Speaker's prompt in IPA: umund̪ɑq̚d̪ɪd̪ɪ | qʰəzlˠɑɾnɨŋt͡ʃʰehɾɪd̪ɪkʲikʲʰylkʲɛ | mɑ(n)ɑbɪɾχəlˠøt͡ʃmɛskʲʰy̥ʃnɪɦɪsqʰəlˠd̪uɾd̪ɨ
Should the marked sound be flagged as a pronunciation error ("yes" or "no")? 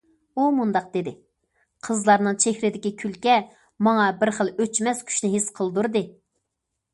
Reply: yes